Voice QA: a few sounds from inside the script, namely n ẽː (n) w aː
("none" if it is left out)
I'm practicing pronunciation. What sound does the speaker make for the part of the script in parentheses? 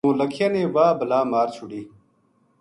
none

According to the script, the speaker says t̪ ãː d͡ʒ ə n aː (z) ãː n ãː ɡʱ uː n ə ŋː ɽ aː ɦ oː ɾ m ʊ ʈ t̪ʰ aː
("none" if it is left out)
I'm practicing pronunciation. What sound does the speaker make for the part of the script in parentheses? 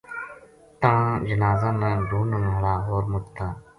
z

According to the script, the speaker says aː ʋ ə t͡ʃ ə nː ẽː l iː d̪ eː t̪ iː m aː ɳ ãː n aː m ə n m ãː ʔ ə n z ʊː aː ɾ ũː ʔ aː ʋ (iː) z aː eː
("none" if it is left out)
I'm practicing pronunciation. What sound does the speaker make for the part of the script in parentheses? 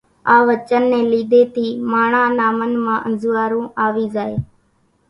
iː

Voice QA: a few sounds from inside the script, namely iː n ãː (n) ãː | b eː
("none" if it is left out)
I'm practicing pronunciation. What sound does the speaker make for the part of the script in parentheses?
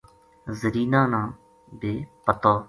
n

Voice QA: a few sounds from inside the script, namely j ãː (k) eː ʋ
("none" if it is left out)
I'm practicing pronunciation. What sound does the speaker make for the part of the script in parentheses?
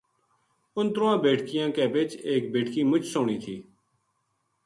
k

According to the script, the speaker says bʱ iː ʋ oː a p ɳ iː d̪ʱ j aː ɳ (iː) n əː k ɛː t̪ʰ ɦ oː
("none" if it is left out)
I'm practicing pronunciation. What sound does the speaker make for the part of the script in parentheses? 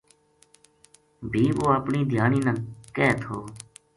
iː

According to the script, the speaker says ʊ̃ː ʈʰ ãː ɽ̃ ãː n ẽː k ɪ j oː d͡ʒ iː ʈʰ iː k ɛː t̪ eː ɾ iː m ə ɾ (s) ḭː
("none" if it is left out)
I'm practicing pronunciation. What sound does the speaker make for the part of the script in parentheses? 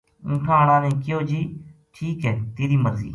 z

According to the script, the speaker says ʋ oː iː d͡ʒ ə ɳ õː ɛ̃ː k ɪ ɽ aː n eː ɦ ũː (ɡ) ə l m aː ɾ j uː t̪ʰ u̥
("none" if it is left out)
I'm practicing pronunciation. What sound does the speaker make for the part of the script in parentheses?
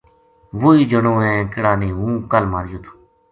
k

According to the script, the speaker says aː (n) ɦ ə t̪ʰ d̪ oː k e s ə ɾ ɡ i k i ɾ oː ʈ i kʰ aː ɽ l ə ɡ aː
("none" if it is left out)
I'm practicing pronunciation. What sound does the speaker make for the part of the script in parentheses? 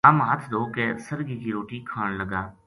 m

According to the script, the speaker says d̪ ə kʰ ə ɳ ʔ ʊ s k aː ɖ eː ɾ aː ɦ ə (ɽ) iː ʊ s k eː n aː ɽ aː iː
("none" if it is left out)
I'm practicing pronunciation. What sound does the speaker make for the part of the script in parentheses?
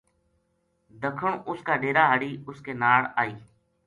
ɽ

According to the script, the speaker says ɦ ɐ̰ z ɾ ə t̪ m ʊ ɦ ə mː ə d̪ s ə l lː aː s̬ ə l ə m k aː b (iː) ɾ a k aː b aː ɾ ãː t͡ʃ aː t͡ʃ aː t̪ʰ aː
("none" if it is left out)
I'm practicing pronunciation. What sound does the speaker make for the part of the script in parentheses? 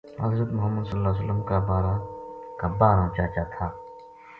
aː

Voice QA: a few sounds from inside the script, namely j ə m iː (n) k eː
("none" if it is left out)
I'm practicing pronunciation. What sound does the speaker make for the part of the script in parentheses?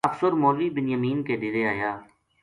n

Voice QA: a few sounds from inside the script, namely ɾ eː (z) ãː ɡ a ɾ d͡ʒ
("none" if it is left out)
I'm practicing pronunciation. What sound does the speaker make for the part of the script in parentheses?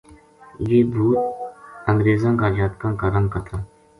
z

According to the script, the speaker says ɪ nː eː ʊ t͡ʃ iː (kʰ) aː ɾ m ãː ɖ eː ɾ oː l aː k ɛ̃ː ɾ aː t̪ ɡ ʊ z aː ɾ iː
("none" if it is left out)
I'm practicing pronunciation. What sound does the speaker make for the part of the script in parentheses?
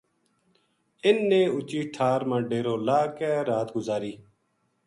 ʈʰ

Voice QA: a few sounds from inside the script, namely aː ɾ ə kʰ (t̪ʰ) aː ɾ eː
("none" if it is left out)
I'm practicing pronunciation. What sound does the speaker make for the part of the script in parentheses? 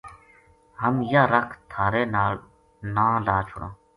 t̪ʰ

